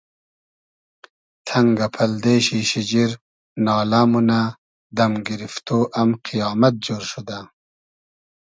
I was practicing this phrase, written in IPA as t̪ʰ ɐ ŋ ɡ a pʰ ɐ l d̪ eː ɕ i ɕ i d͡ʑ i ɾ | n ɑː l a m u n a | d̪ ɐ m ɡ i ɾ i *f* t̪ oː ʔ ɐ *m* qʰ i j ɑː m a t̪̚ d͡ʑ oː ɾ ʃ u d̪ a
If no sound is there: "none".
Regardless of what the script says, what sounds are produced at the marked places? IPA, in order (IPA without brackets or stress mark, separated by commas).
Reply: f, m